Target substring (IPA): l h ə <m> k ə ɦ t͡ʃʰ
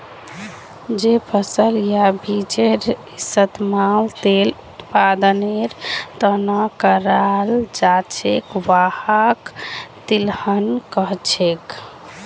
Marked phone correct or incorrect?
incorrect